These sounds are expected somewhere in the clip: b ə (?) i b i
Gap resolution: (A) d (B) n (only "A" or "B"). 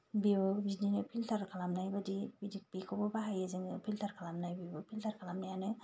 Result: A